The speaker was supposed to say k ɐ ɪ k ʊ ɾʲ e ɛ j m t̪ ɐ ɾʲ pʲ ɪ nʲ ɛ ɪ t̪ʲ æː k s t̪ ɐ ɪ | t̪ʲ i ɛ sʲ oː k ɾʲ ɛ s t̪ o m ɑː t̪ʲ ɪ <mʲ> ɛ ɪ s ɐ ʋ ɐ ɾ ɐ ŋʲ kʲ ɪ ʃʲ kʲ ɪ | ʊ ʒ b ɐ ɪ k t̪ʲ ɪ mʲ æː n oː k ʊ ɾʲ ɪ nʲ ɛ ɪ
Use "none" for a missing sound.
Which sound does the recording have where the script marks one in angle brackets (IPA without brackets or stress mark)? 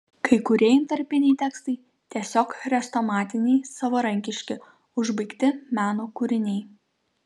nʲ